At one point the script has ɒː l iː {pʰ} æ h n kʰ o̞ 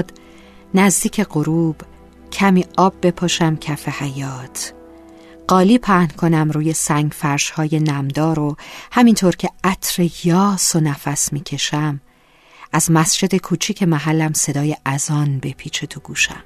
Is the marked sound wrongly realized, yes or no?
no